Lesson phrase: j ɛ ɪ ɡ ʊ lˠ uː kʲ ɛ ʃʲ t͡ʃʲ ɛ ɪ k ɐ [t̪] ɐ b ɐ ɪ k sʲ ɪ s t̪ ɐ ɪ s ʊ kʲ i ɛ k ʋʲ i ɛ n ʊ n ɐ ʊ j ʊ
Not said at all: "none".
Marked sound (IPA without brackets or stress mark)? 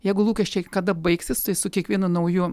d̪